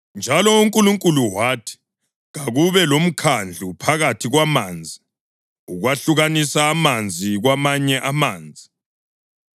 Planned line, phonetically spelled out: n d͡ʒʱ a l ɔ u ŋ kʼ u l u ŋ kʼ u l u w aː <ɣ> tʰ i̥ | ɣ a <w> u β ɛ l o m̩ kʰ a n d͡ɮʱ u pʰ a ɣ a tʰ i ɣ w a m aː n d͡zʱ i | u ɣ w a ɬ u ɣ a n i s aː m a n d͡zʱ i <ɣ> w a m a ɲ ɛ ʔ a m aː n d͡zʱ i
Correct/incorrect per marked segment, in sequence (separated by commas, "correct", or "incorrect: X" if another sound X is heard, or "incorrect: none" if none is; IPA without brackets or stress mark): incorrect: none, incorrect: ɣ, correct